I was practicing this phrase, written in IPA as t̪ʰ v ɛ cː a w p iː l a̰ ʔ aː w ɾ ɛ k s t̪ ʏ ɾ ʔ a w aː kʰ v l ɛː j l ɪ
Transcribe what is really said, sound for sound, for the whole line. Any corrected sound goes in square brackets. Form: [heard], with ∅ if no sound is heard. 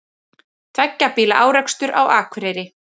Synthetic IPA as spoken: t̪ʰ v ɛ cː a [∅] p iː l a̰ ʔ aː w ɾ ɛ k s t̪ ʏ ɾ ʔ a w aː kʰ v [ɾ] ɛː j [ɾ] ɪ